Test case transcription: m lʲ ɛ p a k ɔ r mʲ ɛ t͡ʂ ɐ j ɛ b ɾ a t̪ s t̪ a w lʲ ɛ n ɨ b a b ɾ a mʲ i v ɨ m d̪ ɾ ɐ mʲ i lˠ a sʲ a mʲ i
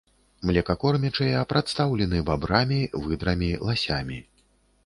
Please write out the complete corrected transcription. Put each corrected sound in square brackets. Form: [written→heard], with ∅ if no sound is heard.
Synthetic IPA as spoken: m lʲ ɛ [p→k] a k ɔ r mʲ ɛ t͡ʂ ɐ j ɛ [b→p] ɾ a t̪ s t̪ a w lʲ ɛ n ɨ b a b ɾ a mʲ i v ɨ [m→∅] d̪ ɾ ɐ mʲ i lˠ a sʲ a mʲ i